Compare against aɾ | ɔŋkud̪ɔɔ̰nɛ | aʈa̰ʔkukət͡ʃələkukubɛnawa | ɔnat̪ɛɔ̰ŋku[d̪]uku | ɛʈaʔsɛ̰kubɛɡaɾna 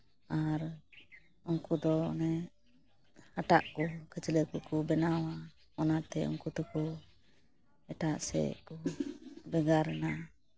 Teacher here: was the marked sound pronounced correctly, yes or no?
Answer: no